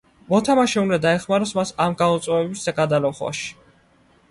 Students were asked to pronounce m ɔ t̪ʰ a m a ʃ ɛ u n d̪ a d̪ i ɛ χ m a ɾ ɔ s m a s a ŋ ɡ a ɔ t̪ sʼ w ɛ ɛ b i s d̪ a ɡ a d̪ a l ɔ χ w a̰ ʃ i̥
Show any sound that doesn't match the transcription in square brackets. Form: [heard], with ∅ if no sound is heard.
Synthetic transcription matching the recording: m ɔ t̪ʰ a m a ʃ ɛ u n d̪ a d̪ [a] ɛ χ m a ɾ ɔ s m a s a [m] ɡ a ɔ t̪ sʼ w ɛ ɛ b i s d̪ a ɡ a d̪ a l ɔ χ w a̰ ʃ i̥

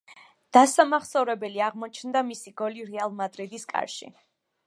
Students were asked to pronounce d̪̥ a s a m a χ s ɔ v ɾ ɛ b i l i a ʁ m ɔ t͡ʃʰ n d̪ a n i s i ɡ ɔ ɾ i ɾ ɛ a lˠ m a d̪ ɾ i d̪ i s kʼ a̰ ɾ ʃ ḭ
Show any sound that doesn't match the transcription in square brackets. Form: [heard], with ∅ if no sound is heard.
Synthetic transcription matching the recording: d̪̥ a s a m a χ s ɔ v ɾ ɛ b [ɛ] l i a ʁ m ɔ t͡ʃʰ n d̪ a [m] i s i ɡ ɔ [l] i ɾ ɛ a lˠ m a d̪ ɾ i d̪ i s kʼ a̰ ɾ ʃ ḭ

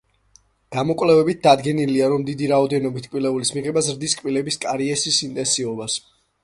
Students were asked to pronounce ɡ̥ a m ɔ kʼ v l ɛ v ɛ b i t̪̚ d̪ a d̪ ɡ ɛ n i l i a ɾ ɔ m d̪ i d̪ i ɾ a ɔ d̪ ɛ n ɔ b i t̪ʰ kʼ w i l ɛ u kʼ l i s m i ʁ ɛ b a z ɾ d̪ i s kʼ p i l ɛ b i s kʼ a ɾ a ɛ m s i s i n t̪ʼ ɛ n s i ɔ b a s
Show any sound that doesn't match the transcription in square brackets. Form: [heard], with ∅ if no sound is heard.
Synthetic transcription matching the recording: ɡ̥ a m ɔ kʼ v l ɛ v ɛ b i t̪̚ d̪ a d̪ ɡ ɛ n i l i a ɾ ɔ m d̪ i d̪ i ɾ a ɔ d̪ ɛ n ɔ b i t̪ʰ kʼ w i l ɛ u [∅] l i s m i ʁ ɛ b a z ɾ d̪ i s kʼ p i l ɛ b i s kʼ a ɾ [i] ɛ [∅] s i s i n t̪ʼ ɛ n s i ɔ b a s

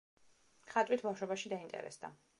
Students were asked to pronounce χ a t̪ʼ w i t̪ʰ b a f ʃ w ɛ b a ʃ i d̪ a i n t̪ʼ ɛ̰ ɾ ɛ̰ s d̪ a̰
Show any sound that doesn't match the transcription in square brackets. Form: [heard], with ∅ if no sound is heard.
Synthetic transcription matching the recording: χ a t̪ʼ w i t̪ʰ b a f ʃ w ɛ b a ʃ i d̪ a i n t̪ʼ ɛ̰ ɾ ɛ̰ s d̪ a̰

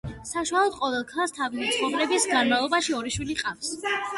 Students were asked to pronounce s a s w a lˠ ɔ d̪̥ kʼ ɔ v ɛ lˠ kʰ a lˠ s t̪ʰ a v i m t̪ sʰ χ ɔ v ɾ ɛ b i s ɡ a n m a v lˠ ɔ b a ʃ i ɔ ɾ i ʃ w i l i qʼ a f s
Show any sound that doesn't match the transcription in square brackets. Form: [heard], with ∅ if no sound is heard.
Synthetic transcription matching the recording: s a [ʃ] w a lˠ ɔ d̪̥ [qʼ] ɔ v ɛ lˠ kʰ a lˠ s t̪ʰ a v i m t̪ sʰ χ ɔ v ɾ ɛ b i s ɡ a n m a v lˠ ɔ b a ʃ i ɔ ɾ i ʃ w i l i qʼ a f s

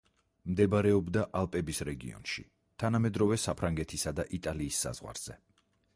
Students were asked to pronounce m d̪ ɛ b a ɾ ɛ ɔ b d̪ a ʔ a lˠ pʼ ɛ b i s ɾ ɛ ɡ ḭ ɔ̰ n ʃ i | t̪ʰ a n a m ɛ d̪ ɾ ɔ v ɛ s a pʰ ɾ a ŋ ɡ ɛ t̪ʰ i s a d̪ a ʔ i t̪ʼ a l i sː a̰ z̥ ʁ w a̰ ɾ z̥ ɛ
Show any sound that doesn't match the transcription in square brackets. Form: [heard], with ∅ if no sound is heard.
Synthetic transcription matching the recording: m d̪ ɛ b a ɾ ɛ ɔ b d̪ a ʔ a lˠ pʼ ɛ b i s ɾ ɛ ɡ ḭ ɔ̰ n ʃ i | t̪ʰ a n a m ɛ d̪ ɾ ɔ v ɛ s a pʰ ɾ a ŋ ɡ ɛ t̪ʰ i s a d̪ a ʔ i t̪ʼ a l [iː] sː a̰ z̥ ʁ w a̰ ɾ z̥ ɛ

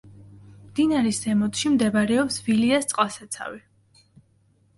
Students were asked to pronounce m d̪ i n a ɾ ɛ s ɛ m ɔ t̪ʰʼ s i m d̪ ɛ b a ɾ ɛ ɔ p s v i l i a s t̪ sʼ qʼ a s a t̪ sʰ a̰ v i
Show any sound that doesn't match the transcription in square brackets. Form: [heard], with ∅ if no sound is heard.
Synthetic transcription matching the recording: m d̪ i n a ɾ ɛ s ɛ m ɔ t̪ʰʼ [ʃ] i m d̪ ɛ b a ɾ ɛ ɔ p s v i l i a s t̪ sʼ qʼ a s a t̪ sʰ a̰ v i

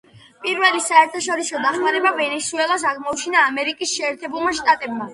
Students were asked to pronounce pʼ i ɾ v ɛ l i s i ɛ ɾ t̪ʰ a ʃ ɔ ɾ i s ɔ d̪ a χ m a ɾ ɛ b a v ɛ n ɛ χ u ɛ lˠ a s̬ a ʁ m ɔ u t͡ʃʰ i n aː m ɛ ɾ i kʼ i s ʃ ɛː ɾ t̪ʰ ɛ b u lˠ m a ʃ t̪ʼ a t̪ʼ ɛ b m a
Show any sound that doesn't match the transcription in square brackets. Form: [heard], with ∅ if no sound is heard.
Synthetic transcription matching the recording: pʼ i ɾ v ɛ l i s [a] ɛ ɾ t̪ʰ a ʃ ɔ ɾ i s ɔ d̪ a χ m a ɾ ɛ b a v ɛ n ɛ [s] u ɛ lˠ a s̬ a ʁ m ɔ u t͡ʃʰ i n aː m ɛ ɾ i kʼ i s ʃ ɛː ɾ t̪ʰ ɛ b u lˠ m a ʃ t̪ʼ a t̪ʼ ɛ b m a

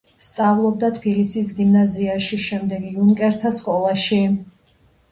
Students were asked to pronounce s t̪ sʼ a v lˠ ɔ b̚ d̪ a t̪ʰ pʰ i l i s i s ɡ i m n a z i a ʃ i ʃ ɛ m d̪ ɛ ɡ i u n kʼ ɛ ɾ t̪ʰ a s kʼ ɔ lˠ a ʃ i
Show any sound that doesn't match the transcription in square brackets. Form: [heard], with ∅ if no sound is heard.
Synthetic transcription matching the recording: s t̪ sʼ a v lˠ ɔ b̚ d̪ a t̪ʰ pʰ i l i s i s ɡ i m n a z i a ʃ i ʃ ɛ m d̪ ɛ ɡ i u n kʼ ɛ ɾ t̪ʰ a s kʼ ɔ lˠ a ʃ i

